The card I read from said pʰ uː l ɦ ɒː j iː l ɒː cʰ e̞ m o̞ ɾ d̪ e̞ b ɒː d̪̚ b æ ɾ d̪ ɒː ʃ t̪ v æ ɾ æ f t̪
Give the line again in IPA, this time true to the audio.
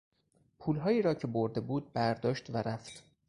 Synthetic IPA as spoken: pʰ uː l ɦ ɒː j iː ɾ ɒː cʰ e̞ b o̞ ɾ d̪ e̞ b uː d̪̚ b æ ɾ d̪ ɒː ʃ t̪ v æ ɾ æ f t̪